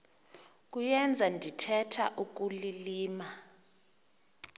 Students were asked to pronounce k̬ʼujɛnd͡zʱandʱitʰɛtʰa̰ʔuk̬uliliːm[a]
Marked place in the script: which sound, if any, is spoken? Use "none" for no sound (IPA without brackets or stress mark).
a